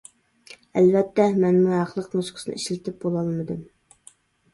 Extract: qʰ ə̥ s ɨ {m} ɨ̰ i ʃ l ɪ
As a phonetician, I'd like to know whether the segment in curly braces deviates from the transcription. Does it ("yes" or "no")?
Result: yes